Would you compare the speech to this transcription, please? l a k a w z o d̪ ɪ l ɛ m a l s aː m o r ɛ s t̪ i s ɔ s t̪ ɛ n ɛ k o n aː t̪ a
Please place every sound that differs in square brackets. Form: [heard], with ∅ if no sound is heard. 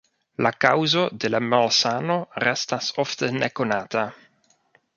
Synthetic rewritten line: l a k a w z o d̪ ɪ l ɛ m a l s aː [n] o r ɛ s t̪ [a] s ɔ [f] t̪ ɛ n ɛ k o n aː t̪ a